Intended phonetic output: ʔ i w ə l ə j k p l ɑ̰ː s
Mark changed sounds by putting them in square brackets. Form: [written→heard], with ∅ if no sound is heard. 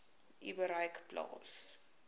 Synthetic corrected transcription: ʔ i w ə [l→ɾ] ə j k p l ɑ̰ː s